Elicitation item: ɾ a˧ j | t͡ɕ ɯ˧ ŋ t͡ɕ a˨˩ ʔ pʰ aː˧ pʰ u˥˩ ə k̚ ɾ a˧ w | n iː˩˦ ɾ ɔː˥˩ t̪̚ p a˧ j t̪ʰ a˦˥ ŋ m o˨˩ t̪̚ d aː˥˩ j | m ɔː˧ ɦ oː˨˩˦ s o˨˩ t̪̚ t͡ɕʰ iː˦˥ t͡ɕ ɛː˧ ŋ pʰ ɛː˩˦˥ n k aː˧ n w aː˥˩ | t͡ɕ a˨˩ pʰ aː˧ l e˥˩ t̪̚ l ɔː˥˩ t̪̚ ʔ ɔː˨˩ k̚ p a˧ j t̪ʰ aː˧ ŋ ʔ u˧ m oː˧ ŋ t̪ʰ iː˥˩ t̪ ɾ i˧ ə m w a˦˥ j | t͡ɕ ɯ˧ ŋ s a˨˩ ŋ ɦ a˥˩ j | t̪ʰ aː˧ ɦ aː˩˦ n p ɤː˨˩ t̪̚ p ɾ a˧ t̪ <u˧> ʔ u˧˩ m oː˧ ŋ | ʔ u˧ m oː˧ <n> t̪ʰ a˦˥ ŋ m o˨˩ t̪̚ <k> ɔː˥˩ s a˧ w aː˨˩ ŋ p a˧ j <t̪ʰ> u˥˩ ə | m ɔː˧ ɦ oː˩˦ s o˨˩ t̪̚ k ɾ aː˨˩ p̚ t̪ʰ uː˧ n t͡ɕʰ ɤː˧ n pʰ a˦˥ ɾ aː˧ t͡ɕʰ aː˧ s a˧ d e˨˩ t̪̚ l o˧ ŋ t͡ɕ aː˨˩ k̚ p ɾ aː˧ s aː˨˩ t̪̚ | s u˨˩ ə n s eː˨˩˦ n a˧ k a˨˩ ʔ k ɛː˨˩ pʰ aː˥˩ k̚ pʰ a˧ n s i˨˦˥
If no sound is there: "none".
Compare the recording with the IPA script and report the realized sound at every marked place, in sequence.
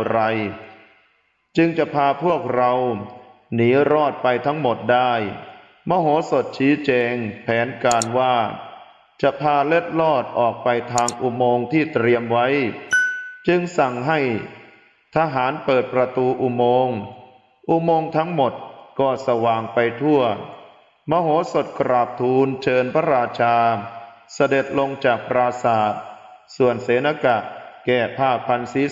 uː˧, ŋ, k, t̪ʰ

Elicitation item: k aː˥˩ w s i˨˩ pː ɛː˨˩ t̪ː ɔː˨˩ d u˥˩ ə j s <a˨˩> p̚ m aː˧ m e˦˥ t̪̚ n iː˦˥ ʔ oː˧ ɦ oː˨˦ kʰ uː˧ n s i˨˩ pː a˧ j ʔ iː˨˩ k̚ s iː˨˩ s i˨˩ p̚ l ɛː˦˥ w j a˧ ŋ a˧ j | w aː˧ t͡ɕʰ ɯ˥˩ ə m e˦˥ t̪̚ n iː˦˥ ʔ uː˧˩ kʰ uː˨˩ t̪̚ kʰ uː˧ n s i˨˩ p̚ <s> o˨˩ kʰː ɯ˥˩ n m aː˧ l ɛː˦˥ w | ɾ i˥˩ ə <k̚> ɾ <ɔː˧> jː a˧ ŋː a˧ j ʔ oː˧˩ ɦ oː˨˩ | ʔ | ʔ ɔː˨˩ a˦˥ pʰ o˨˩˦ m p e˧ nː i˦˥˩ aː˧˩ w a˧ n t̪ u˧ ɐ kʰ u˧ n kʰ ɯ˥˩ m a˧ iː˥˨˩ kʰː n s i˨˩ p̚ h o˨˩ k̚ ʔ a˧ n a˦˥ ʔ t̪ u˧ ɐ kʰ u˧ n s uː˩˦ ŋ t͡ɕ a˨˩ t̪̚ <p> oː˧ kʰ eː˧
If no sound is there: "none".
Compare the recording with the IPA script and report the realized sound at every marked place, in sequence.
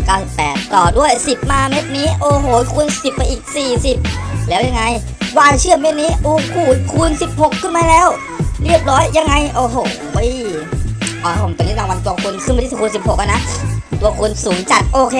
i˨˩, h, p̚, ɔː˦˥, ʔ

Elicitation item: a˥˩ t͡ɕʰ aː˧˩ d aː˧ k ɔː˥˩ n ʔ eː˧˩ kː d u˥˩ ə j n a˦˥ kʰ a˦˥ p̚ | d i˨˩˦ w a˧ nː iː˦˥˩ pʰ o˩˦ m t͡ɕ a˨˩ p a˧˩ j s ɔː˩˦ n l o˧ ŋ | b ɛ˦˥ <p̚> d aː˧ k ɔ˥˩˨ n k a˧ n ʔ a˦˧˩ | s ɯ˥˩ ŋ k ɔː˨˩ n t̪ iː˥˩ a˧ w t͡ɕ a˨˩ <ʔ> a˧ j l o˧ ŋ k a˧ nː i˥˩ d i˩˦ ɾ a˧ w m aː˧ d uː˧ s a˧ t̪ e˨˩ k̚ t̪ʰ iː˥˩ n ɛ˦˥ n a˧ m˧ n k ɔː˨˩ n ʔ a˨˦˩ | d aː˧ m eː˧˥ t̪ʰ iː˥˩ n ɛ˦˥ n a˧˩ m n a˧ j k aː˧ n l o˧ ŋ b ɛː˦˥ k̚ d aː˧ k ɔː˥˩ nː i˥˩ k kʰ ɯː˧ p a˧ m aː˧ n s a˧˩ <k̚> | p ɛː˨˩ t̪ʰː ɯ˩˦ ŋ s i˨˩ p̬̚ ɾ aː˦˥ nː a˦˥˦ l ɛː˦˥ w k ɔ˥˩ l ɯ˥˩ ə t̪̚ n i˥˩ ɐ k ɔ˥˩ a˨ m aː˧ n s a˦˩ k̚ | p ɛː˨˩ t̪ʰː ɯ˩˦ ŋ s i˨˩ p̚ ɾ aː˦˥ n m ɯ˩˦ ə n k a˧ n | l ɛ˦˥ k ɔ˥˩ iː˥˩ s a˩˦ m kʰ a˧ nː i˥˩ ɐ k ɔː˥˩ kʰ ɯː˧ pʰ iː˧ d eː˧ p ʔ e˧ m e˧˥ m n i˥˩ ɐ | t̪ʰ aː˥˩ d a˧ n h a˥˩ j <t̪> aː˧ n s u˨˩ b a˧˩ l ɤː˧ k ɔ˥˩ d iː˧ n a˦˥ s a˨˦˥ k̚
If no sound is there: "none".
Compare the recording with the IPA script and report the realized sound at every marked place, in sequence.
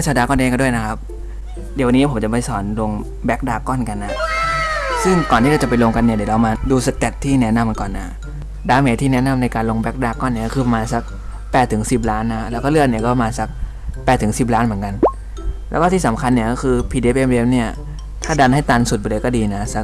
k̚, p, k̚, t̪

